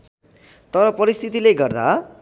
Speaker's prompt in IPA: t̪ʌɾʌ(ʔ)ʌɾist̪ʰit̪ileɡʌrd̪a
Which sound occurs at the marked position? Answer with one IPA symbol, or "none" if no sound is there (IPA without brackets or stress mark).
p